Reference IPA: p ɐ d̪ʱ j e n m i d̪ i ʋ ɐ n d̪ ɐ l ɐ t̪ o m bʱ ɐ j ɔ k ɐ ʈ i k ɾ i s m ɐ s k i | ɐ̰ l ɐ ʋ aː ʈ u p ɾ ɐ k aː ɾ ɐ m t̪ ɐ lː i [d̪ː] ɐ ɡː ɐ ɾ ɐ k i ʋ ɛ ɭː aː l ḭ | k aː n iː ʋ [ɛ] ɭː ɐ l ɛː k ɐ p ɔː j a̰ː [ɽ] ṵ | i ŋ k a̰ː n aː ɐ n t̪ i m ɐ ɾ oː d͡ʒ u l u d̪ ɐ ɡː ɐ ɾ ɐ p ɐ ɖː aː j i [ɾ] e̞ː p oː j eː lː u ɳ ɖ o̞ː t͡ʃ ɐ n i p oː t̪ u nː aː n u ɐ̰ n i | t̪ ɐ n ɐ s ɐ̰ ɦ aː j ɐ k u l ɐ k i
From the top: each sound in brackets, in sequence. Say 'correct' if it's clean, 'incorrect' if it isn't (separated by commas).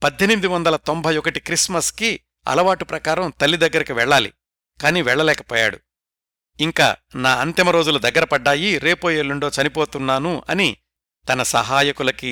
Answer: incorrect, correct, correct, correct